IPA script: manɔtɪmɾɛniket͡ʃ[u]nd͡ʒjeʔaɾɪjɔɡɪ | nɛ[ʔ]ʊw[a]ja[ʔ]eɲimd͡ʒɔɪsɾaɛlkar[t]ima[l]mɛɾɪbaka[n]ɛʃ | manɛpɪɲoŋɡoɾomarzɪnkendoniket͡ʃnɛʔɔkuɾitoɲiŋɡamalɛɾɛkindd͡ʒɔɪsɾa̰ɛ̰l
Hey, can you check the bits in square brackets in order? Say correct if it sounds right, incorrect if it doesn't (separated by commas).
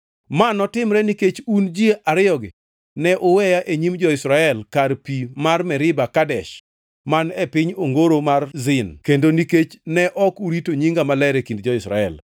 correct, correct, incorrect, correct, incorrect, incorrect, incorrect